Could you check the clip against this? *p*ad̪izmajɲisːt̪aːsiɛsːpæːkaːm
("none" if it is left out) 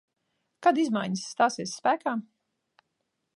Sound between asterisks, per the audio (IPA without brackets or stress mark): k